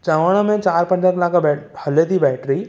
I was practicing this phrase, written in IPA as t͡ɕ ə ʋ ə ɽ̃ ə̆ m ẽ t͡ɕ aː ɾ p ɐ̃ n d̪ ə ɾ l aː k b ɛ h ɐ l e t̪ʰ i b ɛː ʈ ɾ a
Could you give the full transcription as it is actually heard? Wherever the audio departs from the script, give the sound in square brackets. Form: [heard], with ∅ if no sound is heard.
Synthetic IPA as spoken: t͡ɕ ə ʋ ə ɽ̃ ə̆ m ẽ t͡ɕ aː ɾ p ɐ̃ n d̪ ə ɾ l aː k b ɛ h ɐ l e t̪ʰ i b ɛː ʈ ɾ [i]